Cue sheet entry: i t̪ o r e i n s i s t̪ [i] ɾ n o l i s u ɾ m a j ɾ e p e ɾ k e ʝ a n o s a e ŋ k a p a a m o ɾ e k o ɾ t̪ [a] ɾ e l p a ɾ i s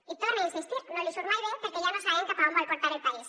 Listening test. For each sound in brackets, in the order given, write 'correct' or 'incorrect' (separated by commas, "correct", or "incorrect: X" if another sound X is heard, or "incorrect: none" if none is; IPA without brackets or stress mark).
correct, correct